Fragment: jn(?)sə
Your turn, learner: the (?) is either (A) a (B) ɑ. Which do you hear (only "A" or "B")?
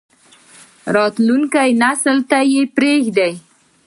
A